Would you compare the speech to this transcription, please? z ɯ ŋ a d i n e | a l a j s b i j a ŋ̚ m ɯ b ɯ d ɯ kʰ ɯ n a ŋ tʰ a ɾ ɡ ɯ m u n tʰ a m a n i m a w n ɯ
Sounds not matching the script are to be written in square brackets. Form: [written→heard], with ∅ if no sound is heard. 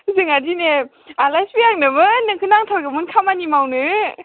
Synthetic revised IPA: z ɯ ŋ a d i n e | a l a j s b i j a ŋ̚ [m→n] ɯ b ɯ [d→n] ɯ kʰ ɯ n a ŋ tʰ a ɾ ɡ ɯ m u n [tʰ→kʰ] a m a n i m a w n ɯ